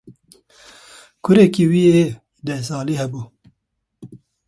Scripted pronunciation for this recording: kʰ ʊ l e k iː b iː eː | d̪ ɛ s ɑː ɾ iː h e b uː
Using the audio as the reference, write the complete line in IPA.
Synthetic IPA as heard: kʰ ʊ ɾ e k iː w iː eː | d̪ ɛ s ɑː l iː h ɛ b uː